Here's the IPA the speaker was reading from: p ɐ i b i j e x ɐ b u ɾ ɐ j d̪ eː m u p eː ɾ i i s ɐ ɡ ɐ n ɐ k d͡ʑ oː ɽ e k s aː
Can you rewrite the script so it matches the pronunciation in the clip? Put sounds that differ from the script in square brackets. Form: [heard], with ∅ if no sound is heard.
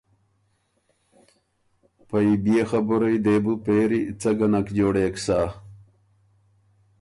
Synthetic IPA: p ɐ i b i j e x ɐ b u ɾ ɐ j d̪ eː [b] u p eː ɾ i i [t͡s] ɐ ɡ ɐ n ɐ k d͡ʑ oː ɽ e k s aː